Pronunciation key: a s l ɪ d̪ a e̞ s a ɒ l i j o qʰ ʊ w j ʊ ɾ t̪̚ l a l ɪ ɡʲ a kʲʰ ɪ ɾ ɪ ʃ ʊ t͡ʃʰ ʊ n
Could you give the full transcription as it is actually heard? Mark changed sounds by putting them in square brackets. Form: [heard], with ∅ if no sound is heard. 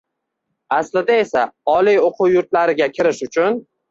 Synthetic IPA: a s l ɪ d̪ a e̞ s a ɒ l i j o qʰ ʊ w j ʊ ɾ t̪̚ l a [ɾ] ɪ ɡʲ a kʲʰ ɪ ɾ ɪ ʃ ʊ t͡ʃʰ ʊ n